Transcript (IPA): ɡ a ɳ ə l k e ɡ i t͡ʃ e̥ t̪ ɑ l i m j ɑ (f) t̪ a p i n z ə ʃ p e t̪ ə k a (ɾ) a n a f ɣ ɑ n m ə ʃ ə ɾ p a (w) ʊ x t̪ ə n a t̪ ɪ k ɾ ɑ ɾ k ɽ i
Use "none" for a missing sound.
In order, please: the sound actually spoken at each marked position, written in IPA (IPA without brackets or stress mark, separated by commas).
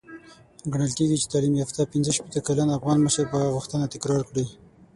f, l, ɣ